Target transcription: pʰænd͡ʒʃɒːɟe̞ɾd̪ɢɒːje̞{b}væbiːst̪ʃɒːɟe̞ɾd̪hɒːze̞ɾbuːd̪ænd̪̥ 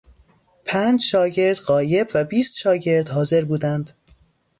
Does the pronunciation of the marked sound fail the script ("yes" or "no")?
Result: no